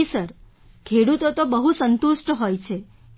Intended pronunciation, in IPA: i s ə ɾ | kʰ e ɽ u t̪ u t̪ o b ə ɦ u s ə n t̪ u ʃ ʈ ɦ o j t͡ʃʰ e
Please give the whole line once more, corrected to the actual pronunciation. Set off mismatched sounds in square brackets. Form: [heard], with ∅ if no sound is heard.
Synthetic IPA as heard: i s ə ɾ | kʰ e ɽ u t̪ [o] t̪ o b ə ɦ u s ə n t̪ u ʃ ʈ ɦ o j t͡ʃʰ e